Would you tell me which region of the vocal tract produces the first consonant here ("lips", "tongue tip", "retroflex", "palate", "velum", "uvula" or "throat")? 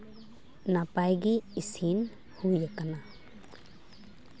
tongue tip